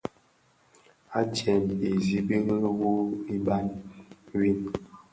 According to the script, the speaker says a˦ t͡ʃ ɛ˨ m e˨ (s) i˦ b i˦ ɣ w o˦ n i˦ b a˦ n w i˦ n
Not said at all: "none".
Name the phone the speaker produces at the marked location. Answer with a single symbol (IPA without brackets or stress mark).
z